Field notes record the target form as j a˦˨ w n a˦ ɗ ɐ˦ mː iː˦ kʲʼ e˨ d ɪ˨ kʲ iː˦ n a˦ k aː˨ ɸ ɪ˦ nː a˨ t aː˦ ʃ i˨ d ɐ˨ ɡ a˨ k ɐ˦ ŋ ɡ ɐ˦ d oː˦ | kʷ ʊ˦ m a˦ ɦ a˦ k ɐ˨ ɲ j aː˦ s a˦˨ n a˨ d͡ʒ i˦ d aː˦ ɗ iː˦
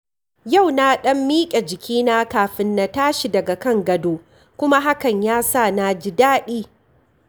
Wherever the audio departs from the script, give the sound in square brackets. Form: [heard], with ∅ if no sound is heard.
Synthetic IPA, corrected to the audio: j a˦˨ w n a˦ ɗ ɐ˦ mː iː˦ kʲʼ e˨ [d͡ʒ] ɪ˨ kʲ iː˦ n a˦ k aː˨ ɸ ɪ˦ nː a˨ t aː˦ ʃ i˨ d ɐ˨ ɡ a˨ k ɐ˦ ŋ ɡ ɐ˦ d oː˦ | kʷ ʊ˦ m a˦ ɦ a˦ k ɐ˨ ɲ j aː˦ s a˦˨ n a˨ d͡ʒ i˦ d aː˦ ɗ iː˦